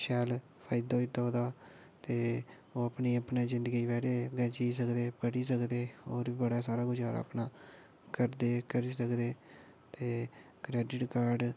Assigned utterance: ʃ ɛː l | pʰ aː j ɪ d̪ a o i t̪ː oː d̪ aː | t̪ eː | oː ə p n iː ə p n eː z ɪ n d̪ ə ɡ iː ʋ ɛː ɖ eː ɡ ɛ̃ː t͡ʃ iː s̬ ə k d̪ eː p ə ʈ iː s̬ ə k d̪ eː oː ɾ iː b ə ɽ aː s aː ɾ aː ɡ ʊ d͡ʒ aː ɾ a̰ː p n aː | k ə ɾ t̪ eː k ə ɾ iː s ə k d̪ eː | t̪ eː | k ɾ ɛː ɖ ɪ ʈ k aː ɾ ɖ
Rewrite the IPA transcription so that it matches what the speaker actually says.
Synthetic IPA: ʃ ɛː l | pʰ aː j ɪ d̪ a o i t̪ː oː d̪ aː | t̪ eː | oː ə p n iː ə p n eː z ɪ n d̪ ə ɡ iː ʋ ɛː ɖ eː ɡ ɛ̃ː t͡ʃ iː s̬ ə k d̪ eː p ə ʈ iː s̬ ə k d̪ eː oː ɾ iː b ə ɽ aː s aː ɾ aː ɡ ʊ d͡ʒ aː ɾ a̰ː p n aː | k ə ɾ d̪ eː k ə ɾ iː s ə k d̪ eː | t̪ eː | k ɾ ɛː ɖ ɪ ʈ k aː ɾ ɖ